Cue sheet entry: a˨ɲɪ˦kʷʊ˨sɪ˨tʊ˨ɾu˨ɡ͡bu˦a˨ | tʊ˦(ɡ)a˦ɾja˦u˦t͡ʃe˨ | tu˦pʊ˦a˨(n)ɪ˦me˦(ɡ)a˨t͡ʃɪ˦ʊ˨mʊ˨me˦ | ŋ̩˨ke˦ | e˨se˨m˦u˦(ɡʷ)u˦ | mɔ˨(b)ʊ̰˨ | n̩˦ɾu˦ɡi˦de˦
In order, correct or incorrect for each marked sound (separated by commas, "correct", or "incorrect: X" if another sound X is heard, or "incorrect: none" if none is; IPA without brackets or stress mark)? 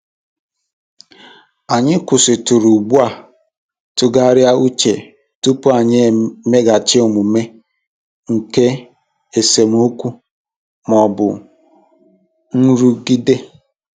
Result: correct, incorrect: ɲ, correct, incorrect: kʷ, correct